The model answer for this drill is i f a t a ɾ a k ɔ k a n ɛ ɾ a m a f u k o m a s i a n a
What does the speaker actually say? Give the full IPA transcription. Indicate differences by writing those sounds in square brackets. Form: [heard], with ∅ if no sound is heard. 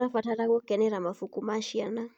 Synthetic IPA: [a] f a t a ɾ a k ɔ k [ɛ] n ɛ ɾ a m a f u k [u] m a [ʃ] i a n a